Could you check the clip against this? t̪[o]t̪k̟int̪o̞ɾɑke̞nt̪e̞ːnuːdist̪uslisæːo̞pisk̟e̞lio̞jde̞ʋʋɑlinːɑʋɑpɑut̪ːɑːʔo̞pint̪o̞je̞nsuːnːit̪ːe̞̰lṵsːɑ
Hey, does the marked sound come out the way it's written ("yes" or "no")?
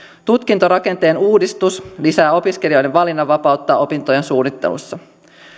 no